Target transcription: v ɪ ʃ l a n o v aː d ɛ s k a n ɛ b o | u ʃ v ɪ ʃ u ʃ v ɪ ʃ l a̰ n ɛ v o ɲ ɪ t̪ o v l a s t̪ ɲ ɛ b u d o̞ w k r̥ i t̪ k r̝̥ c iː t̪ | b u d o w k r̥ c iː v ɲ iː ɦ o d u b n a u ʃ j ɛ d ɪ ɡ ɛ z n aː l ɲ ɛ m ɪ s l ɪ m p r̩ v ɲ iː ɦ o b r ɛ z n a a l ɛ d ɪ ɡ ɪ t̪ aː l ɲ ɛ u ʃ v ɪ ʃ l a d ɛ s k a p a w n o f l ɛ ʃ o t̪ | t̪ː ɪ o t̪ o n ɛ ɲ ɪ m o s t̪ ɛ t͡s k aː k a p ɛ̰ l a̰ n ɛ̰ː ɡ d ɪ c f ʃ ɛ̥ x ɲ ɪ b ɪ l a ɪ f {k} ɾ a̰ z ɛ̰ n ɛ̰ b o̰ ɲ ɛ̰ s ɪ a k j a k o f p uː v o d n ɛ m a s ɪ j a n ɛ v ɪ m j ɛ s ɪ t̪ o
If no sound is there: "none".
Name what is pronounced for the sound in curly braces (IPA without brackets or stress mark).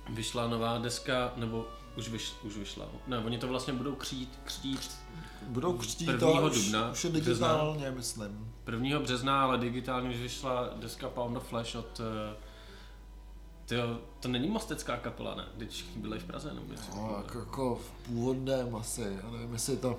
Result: p